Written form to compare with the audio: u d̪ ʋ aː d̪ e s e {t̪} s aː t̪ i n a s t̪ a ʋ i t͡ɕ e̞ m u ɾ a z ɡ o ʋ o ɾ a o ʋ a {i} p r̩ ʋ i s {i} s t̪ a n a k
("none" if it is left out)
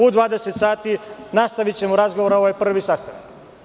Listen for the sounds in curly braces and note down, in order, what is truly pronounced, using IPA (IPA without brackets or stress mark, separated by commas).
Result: t̪, j, a